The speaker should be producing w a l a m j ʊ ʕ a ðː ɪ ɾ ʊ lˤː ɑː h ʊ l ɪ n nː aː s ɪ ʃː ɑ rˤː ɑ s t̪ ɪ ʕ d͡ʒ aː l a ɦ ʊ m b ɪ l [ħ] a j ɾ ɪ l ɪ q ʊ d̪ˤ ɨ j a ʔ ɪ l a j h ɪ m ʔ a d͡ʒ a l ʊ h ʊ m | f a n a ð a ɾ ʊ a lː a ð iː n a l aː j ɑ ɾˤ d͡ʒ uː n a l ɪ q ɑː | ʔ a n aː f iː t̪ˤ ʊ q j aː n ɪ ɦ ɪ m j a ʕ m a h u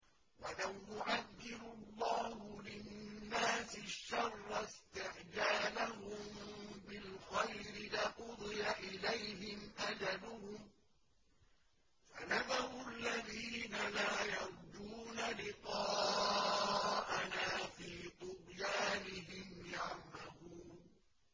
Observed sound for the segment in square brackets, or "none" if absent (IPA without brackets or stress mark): x